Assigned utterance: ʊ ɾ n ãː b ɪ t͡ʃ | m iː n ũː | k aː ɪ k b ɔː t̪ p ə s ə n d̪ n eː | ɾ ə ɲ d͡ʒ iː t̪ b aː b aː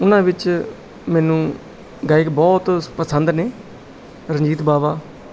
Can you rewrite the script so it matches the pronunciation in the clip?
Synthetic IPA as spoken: ʊ n ãː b ɪ t͡ʃ | m ɛː n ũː | ɡ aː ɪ k b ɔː t̪ p ə s ə n d̪ n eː | ɾ ə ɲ d͡ʒ iː t̪ b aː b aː